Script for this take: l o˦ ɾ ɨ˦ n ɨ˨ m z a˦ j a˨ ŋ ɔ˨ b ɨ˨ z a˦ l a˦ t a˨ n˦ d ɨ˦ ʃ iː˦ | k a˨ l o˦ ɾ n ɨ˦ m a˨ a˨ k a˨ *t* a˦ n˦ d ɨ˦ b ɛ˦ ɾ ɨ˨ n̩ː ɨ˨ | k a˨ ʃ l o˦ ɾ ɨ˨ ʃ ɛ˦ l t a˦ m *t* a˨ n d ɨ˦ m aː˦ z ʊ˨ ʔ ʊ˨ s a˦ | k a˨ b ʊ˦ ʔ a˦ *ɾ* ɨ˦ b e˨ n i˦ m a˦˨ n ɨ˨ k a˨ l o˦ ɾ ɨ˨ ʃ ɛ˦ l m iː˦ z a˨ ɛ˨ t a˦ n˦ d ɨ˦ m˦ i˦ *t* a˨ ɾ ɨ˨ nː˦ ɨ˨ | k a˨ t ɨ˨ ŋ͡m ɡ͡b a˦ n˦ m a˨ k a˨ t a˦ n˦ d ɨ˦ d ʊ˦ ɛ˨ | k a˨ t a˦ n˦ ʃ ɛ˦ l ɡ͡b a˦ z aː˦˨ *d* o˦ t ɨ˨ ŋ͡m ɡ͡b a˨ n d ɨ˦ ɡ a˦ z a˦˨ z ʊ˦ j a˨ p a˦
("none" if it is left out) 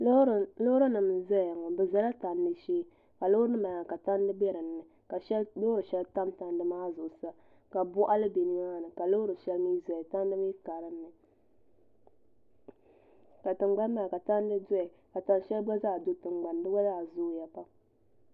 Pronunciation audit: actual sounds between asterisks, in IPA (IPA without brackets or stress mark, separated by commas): t, t, l, k, d